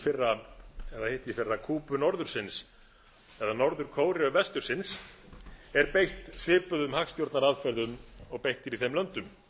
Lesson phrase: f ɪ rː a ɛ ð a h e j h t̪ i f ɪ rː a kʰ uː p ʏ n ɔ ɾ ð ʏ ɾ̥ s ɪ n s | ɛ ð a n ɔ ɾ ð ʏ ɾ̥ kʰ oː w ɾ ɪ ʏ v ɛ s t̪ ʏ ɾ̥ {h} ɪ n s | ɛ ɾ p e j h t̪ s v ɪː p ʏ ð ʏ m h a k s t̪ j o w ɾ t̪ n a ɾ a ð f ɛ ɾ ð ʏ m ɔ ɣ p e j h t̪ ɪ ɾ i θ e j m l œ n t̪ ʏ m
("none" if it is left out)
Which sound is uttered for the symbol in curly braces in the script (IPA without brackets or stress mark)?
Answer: s